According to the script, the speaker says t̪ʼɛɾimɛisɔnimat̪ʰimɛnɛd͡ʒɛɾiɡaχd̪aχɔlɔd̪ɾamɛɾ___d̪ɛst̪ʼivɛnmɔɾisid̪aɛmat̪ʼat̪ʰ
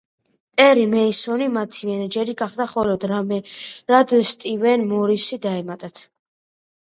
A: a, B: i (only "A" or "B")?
A